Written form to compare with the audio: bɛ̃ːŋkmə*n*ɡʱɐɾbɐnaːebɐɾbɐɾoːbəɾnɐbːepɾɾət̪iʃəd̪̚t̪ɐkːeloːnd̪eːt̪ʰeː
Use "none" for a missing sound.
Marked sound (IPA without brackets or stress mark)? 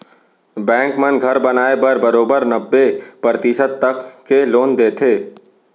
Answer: n